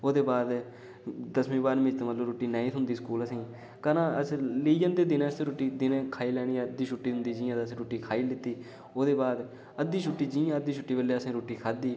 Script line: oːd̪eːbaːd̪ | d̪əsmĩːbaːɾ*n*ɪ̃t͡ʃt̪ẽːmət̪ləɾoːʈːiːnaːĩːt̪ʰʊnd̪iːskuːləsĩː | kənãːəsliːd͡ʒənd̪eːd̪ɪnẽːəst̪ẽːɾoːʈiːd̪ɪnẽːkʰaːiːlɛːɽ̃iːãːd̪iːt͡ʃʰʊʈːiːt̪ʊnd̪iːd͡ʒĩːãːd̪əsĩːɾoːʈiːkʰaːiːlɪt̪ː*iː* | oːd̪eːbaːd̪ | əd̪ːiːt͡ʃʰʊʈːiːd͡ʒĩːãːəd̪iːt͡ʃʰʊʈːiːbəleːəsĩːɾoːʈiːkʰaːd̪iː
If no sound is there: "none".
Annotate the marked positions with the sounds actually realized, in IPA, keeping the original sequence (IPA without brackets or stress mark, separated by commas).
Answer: m, iː